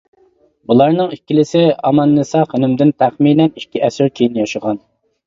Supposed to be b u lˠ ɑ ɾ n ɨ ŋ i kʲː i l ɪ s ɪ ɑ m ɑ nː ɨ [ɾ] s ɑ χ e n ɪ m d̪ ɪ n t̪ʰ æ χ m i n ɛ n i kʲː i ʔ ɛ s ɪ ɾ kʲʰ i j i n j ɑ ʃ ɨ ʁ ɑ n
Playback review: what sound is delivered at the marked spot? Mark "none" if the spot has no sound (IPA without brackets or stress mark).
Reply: none